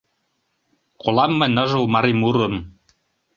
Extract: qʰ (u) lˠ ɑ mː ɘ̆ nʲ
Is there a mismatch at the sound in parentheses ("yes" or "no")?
yes